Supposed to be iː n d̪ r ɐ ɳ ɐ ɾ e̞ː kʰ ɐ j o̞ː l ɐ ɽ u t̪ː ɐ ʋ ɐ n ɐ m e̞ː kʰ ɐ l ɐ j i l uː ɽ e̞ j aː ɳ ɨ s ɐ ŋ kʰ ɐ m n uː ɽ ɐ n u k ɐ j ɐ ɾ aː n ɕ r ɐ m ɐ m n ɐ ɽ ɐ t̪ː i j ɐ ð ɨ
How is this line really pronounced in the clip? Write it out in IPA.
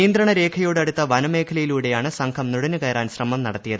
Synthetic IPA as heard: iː n d̪ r ɐ ɳ ɐ ɾ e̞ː kʰ ɐ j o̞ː ɽ ɐ ɽ u t̪ː ɐ ʋ ɐ n ɐ m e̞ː kʰ ɐ l ɐ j i l uː ɽ e̞ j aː ɳ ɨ s ɐ ŋ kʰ ɐ m n u ɽ ɐ n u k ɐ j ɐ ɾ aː n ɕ r ɐ m ɐ m n ɐ ɽ ɐ t̪ː i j ɐ ð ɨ

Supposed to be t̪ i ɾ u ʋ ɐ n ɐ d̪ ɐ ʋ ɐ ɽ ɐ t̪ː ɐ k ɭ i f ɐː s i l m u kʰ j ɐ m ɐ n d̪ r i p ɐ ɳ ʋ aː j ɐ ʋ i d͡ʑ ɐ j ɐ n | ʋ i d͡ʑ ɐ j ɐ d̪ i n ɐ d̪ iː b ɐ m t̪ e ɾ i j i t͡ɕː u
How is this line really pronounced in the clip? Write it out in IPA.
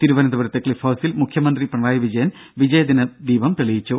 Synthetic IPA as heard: t̪ i ɾ u ʋ ɐ n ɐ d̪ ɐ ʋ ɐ ɾ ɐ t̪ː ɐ k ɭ i f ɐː s i l m u kʰ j ɐ m ɐ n d̪ r i p ɐ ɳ ʋ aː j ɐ ʋ i d͡ʑ ɐ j ɐ n | ʋ i d͡ʑ ɐ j ɐ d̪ i n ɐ d̪ iː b ɐ m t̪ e ɭ i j i t͡ɕː u

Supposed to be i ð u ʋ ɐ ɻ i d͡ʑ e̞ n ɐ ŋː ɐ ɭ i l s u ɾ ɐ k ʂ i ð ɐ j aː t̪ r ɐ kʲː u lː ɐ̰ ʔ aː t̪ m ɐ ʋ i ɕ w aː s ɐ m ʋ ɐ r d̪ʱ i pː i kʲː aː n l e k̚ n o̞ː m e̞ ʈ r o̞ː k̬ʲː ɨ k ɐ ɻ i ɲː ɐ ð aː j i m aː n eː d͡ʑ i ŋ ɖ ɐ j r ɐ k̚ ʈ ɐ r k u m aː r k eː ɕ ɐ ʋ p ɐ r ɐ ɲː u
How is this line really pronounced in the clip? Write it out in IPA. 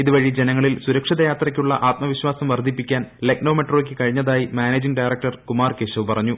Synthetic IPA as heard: i ð u ʋ ɐ ɻ i d͡ʑ e̞ n ɐ ŋː ɐ ɭ i l s u ɾ ɐ k ʂ i ð ɐ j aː t̪ r ɐ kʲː u ɭː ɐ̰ ʔ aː t̪ m ɐ ʋ i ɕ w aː s ɐ m ʋ ɐ r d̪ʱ i pː i kʲː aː n l e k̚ n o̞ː m e̞ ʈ r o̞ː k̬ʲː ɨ k ɐ ɻ i ɲː ɐ ð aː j i m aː n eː d͡ʑ i ŋ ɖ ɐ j r ɐ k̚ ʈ ɐ r k u m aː r k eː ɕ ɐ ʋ p ɐ r ɐ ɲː u

